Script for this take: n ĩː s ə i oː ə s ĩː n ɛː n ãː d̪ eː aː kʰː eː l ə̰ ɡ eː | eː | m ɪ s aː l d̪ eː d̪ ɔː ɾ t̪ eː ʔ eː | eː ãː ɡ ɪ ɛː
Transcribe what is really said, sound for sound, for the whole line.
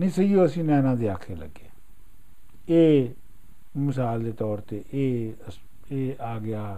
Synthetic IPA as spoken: n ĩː s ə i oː ə s ĩː n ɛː n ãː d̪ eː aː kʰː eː l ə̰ ɡ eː | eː | m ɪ s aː l d̪ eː t̪ ɔː ɾ t̪ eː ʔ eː | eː aː ɡ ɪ aː